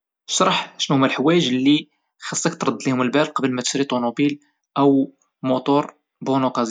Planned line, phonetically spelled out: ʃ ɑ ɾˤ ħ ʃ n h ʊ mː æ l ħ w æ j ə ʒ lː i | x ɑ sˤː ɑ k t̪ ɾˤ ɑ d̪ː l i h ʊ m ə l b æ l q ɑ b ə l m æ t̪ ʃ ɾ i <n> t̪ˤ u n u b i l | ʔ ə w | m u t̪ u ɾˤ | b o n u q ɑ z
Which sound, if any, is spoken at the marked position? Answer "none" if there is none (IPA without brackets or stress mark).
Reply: none